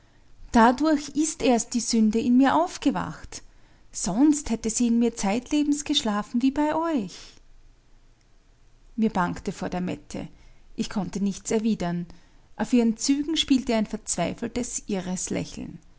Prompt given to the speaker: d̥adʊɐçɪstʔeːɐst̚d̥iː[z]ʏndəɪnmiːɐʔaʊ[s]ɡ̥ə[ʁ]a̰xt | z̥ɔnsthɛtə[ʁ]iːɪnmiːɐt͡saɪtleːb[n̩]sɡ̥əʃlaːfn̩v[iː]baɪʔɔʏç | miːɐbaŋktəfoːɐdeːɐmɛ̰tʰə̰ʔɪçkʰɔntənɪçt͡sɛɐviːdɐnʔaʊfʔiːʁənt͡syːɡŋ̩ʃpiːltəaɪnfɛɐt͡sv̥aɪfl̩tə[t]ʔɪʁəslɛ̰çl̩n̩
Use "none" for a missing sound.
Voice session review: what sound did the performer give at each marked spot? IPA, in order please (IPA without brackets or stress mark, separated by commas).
z, f, v, z, m̩, iː, s